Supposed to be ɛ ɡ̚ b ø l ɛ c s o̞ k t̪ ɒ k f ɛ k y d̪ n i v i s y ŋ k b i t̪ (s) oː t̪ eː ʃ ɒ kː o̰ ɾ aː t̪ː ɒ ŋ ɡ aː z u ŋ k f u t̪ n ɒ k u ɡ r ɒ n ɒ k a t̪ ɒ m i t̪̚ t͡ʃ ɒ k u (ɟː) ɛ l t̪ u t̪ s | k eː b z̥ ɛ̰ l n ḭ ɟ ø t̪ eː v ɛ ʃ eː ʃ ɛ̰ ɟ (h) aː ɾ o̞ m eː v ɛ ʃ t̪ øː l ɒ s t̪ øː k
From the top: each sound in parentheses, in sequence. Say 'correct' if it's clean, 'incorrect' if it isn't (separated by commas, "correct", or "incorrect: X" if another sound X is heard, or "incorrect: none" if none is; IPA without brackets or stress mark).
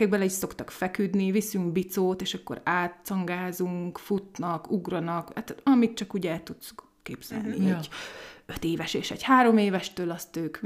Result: correct, incorrect: ɟ, correct